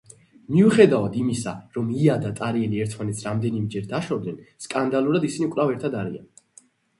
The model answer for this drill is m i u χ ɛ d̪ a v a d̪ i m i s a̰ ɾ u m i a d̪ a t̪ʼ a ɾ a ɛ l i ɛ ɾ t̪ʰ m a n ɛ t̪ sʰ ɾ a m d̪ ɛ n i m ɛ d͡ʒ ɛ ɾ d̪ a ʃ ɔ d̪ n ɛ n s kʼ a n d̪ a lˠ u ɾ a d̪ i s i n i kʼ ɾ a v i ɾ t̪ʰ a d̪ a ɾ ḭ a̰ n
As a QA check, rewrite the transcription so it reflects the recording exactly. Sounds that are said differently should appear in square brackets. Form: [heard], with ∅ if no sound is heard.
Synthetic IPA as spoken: m i u χ ɛ d̪ a v a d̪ i m i s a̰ ɾ [ɔ] m i a d̪ a t̪ʼ a ɾ [i] ɛ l i ɛ ɾ t̪ʰ m a n ɛ t̪ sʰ ɾ a m d̪ ɛ n i m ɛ d͡ʒ ɛ ɾ d̪ a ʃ ɔ d̪ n ɛ n s kʼ a n d̪ a lˠ u ɾ a d̪ i s i n i kʼ ɾ a v [ɛ] ɾ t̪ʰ a d̪ a ɾ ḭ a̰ n